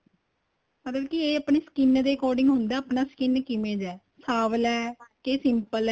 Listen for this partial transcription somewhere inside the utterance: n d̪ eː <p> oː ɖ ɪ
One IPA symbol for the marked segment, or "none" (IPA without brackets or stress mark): k